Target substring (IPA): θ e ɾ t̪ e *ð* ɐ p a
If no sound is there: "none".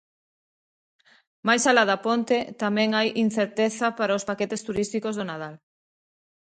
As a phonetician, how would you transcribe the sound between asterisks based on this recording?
θ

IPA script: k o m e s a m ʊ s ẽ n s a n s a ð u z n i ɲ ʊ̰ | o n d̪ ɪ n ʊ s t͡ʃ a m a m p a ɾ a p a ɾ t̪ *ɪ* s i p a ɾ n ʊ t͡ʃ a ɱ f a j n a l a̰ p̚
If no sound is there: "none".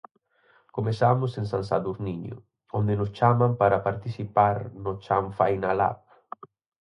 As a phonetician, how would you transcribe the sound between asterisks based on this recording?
i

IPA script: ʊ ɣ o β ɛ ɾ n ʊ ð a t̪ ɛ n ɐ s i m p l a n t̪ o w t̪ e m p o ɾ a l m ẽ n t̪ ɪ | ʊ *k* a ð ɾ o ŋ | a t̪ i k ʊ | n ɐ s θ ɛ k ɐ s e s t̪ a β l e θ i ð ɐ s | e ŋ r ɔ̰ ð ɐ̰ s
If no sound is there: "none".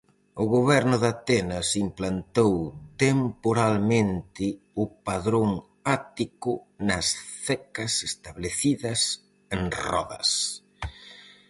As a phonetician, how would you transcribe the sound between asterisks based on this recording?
p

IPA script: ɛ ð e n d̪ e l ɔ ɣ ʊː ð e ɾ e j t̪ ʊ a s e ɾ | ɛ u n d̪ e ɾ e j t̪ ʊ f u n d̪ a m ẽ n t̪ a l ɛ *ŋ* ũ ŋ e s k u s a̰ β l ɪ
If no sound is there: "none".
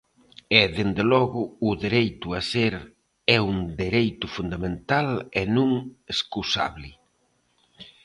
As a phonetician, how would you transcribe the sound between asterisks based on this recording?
n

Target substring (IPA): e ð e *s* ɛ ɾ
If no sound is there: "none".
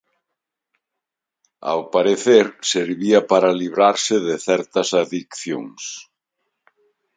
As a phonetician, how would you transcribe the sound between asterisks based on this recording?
θ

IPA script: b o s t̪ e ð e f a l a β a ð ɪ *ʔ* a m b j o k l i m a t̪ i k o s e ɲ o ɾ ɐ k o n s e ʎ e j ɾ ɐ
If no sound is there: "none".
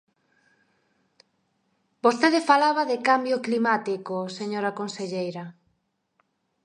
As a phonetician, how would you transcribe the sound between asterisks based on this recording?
k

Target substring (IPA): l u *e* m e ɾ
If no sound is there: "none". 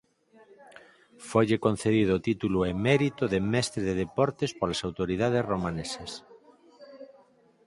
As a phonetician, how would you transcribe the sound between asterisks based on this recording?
e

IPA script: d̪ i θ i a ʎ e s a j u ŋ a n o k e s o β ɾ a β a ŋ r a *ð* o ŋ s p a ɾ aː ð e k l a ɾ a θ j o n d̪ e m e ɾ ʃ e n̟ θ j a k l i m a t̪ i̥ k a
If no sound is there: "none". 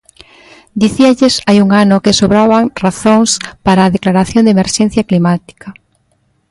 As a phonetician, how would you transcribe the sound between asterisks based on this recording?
θ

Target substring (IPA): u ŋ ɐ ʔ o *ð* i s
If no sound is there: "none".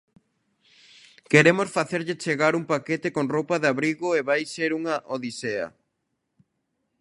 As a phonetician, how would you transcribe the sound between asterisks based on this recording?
ð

